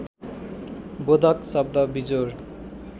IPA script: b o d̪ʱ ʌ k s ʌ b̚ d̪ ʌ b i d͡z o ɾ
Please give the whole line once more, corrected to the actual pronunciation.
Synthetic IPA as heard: b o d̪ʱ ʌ k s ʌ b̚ d̪ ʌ b i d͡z o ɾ